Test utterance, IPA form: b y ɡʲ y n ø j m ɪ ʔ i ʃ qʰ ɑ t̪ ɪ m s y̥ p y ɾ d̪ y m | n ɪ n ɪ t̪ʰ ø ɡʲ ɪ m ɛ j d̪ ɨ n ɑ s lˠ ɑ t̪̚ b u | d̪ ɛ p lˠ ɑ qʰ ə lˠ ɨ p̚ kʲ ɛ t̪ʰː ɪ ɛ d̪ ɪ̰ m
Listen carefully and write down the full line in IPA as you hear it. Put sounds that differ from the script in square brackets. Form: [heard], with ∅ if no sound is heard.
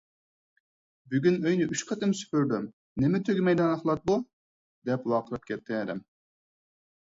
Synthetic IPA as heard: b y ɡʲ y n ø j [n] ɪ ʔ [y] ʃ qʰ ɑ t̪ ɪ m s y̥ p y ɾ d̪ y m | n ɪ [m] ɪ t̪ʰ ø ɡʲ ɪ m ɛ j d̪ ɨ n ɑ [χ] lˠ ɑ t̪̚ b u | d̪ ɛ p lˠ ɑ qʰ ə lˠ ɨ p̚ kʲ ɛ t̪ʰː ɪ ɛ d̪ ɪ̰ m